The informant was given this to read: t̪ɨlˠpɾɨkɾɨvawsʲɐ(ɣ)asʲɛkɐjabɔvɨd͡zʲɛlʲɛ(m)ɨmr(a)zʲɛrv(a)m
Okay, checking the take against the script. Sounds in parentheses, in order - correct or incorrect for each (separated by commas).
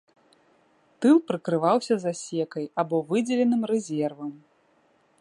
incorrect, incorrect, incorrect, incorrect